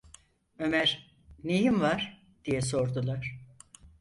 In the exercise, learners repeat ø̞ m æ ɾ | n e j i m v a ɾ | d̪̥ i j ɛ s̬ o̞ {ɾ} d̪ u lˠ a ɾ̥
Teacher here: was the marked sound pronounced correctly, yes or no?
yes